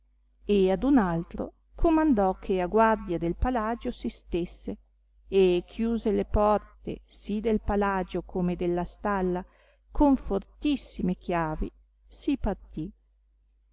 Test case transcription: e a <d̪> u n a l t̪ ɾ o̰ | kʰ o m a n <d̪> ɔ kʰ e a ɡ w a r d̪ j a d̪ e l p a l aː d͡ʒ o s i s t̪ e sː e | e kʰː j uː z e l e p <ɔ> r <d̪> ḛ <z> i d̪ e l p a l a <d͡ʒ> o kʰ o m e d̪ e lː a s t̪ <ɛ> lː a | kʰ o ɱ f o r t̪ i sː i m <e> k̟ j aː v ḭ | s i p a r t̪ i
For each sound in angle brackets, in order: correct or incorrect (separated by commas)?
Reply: correct, correct, correct, incorrect, incorrect, correct, incorrect, correct